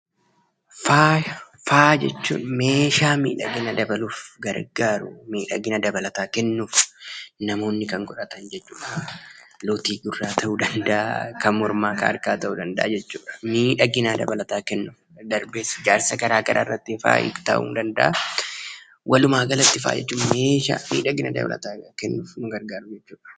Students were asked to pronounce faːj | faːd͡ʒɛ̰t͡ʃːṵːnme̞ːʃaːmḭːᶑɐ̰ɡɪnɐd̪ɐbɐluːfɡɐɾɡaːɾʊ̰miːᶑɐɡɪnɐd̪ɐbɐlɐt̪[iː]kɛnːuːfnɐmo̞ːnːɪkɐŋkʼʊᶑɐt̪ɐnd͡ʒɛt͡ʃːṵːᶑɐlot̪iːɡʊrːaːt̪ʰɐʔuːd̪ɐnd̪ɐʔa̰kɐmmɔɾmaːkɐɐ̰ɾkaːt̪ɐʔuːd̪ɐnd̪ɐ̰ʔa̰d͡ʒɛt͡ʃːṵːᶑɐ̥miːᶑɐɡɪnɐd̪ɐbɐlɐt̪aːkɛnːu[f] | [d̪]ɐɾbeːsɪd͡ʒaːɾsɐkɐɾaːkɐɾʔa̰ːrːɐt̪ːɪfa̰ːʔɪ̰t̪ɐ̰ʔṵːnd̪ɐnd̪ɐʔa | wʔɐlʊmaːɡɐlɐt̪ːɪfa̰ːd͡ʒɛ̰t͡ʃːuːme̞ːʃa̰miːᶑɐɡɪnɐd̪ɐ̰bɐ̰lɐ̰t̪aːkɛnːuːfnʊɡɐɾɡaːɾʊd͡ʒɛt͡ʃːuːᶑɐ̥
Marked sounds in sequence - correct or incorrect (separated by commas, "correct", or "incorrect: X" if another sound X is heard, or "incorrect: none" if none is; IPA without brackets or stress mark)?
incorrect: aː, correct, correct